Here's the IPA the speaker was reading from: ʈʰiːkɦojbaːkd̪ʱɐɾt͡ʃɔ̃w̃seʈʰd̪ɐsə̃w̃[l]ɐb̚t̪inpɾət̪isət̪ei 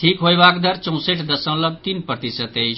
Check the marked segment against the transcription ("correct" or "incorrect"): correct